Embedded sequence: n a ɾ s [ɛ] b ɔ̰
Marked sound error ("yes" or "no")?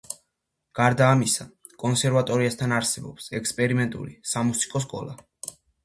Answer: no